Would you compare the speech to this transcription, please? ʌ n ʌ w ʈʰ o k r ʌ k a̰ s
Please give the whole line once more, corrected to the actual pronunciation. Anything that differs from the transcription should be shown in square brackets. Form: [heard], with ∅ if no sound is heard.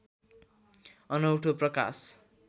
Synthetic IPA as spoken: ʌ n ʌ w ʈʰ o [p] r ʌ k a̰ s